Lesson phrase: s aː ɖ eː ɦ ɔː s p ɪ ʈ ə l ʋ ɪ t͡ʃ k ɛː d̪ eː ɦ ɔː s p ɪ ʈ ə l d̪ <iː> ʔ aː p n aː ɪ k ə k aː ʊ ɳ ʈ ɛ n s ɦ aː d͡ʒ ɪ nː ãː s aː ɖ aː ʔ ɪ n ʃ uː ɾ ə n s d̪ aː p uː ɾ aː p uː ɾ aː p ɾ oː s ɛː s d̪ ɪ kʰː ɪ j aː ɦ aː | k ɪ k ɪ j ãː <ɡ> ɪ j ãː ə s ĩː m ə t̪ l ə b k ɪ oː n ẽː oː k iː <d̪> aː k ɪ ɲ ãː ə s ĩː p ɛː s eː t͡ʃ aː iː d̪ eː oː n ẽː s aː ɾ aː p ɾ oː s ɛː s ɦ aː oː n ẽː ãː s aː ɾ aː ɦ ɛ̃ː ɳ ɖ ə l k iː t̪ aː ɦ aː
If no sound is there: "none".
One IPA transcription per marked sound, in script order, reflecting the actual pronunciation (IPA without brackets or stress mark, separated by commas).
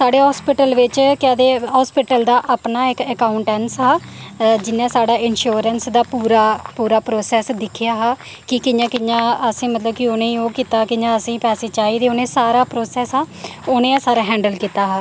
aː, k, t̪